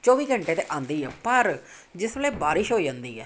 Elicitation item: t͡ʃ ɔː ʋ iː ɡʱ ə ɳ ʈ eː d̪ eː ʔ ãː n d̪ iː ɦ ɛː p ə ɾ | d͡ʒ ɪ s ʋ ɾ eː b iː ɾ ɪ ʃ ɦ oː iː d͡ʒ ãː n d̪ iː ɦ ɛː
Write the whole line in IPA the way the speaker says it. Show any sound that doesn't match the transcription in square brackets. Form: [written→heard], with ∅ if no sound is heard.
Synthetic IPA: t͡ʃ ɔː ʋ iː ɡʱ ə ɳ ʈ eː [d̪→t̪] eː ʔ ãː n d̪ iː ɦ ɛː p ə ɾ | d͡ʒ ɪ s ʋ [ɾ→l] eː b [iː→aː] ɾ ɪ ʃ ɦ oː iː d͡ʒ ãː n d̪ iː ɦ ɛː